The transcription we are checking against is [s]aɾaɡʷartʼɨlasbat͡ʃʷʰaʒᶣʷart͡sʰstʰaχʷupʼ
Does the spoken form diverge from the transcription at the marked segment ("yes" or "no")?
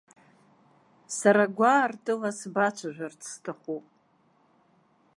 no